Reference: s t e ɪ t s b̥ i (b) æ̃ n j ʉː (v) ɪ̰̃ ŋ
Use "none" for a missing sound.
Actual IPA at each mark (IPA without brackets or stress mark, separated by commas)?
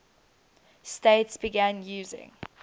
ɡ, z